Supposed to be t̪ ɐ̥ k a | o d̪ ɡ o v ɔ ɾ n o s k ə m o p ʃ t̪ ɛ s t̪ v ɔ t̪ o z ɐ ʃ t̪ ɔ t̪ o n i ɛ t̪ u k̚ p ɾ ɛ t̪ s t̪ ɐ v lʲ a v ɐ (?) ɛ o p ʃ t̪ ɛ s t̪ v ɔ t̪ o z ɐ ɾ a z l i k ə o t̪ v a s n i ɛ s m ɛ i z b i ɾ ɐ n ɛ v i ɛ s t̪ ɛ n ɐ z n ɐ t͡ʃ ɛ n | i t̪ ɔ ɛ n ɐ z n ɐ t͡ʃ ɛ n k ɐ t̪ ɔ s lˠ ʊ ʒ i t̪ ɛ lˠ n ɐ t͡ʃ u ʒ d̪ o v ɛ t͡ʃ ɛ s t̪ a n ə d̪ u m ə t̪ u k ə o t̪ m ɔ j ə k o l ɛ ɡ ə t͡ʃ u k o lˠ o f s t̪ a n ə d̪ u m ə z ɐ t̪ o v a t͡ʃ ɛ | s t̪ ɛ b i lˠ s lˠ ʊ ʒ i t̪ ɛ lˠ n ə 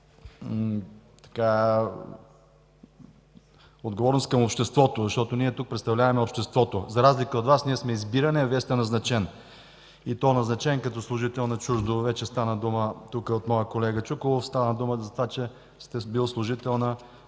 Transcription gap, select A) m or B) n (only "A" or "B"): A